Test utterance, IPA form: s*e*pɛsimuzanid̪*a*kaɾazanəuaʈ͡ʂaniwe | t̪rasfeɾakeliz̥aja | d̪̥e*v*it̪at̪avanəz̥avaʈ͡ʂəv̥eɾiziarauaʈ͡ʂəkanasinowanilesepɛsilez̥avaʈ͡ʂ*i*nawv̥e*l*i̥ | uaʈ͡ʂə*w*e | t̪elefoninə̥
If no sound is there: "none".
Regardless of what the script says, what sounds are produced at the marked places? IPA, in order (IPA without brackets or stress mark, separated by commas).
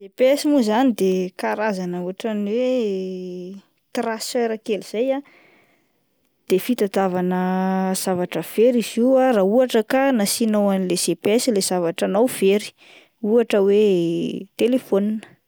e, e, f, a, ɾ, w